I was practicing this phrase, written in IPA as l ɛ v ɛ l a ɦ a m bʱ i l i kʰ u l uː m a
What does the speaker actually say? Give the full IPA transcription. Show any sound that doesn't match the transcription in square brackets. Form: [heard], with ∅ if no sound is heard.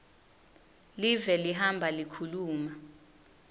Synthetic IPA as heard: l [i] v ɛ l [i] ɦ a m bʱ [a] l i kʰ u l uː m a